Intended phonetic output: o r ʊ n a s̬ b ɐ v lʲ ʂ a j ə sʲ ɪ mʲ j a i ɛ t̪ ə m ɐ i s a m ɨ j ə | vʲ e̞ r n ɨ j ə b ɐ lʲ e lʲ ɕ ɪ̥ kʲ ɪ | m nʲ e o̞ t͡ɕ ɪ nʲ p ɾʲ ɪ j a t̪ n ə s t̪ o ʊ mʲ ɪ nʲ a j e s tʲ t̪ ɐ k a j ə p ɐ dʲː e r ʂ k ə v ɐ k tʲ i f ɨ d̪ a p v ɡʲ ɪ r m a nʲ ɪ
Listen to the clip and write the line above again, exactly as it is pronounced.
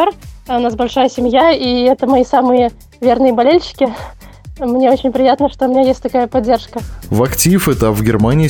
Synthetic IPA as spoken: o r ʊ n a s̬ b ɐ lʲ ʂ a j ə sʲ ɪ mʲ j a i ɛ t̪ ə m ɐ i s a m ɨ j ə | vʲ e̞ r n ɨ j ə b ɐ lʲ e lʲ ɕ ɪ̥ kʲ ɪ | m nʲ e o̞ t͡ɕ ɪ nʲ p ɾʲ ɪ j a t̪ n ə ʂ t̪ o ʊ mʲ ɪ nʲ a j e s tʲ t̪ ɐ k a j ə p ɐ dʲː e r ʂ k ə v ɐ k tʲ i f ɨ t̪ a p v ɡʲ ɪ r m a nʲ ɪ